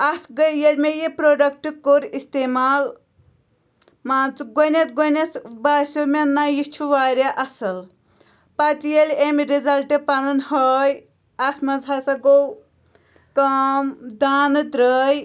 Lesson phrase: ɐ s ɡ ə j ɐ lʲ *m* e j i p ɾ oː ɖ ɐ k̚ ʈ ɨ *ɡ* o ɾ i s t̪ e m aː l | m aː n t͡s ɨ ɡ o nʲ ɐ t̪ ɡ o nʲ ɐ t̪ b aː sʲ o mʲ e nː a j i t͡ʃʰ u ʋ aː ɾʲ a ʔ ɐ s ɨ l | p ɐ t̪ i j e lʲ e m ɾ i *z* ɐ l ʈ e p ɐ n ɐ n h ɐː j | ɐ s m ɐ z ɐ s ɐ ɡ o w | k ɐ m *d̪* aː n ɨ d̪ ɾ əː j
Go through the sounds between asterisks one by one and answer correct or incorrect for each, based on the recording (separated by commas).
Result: correct, incorrect, correct, correct